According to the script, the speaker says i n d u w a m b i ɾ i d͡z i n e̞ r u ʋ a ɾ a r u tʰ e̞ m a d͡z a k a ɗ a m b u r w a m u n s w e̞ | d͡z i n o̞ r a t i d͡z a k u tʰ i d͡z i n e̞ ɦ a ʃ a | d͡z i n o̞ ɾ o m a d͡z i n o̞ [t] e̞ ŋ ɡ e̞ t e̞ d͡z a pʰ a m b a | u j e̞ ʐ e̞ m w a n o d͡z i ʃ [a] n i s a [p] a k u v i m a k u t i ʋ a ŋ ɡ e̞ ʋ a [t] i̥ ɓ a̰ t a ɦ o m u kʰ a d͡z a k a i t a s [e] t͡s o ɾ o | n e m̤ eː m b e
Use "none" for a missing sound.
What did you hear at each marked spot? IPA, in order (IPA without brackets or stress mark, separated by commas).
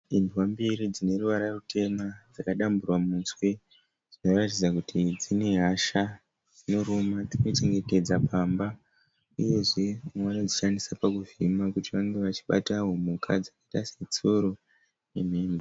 t͡ʃ, a, p, t͡ʃ, e